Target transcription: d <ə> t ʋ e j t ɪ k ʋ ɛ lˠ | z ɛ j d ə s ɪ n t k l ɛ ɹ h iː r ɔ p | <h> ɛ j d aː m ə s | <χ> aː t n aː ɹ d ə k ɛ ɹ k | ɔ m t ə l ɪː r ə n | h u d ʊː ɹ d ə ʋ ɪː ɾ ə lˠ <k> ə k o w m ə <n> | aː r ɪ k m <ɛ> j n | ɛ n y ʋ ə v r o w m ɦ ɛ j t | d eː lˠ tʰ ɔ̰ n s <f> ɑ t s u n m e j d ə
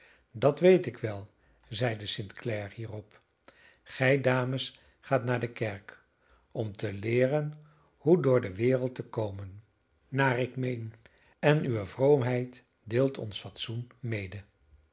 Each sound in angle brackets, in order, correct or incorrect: incorrect: ɑ, incorrect: χ, correct, incorrect: t, incorrect: nː, incorrect: e, correct

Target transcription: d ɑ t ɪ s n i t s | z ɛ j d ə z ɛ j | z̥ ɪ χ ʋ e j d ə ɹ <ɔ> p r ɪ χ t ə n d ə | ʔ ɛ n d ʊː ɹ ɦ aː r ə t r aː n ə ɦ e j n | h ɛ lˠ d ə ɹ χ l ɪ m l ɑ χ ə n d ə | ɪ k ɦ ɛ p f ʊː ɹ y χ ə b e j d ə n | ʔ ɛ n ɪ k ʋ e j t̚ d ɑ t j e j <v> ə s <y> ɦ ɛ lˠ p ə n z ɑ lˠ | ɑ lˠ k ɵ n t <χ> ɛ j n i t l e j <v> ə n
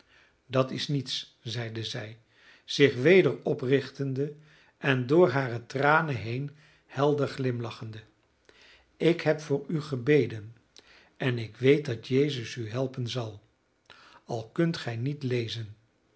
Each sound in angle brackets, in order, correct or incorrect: correct, incorrect: z, correct, correct, incorrect: z

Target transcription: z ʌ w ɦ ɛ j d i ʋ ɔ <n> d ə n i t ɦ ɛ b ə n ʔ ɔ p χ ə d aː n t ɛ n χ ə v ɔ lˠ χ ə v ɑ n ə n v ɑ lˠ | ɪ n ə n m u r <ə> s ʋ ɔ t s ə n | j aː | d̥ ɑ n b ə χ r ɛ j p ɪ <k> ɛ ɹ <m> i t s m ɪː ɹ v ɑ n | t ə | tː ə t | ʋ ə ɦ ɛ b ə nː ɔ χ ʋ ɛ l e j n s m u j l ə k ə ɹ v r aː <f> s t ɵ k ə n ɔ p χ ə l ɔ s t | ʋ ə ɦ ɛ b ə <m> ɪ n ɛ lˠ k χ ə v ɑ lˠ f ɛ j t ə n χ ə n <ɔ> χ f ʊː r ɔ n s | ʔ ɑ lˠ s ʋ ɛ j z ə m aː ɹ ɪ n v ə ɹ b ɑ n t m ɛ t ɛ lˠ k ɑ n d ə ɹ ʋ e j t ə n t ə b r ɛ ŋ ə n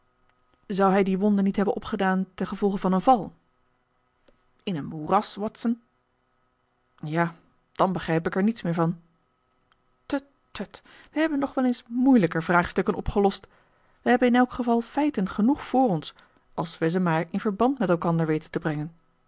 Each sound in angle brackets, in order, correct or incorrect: correct, incorrect: ɑ, correct, incorrect: n, incorrect: χ, incorrect: n, incorrect: u

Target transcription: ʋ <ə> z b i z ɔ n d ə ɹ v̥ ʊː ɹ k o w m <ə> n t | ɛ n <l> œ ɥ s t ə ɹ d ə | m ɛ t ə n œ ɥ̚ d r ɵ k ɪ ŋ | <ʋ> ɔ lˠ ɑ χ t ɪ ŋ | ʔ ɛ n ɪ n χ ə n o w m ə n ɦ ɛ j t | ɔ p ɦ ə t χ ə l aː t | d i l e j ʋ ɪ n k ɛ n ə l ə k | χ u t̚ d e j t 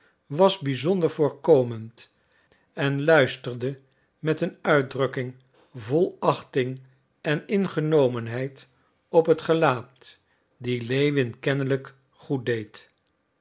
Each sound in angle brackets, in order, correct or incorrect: incorrect: ɑ, correct, correct, incorrect: v

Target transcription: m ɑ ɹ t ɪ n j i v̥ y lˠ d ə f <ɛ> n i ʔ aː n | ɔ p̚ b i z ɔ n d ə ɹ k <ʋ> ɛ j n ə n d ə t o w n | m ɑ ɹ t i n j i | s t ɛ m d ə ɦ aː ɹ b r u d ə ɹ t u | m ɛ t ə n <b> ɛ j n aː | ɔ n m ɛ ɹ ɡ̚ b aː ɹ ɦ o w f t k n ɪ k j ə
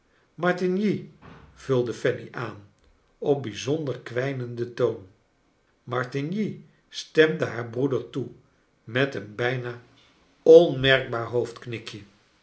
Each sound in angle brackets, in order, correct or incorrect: correct, correct, correct

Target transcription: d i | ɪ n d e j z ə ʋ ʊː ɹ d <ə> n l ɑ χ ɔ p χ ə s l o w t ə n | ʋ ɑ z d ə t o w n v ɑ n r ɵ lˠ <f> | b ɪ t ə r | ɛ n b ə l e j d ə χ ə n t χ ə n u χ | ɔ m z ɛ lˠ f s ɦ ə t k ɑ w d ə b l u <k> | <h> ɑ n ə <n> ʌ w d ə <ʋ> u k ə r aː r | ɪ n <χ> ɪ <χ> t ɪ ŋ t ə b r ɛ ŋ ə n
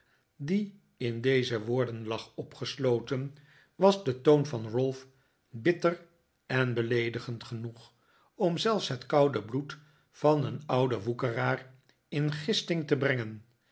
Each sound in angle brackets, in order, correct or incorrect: correct, correct, incorrect: t, incorrect: f, correct, correct, correct, incorrect: s

